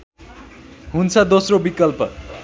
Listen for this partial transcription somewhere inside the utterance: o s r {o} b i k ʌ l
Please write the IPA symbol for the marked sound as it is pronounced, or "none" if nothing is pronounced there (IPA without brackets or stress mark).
o